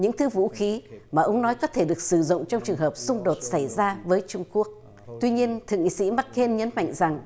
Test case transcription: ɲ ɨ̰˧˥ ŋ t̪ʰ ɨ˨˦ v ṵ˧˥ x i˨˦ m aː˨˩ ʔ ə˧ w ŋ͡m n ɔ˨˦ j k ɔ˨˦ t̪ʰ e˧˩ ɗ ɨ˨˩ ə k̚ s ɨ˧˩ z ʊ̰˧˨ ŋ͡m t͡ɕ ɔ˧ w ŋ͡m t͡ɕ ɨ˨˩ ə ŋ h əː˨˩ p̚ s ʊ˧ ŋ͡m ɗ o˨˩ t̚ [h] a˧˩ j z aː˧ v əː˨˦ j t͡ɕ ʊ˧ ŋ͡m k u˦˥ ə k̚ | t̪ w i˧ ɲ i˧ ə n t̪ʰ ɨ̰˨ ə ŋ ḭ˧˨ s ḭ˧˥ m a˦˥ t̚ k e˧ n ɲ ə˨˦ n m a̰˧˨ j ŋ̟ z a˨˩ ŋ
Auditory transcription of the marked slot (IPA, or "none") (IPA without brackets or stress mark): s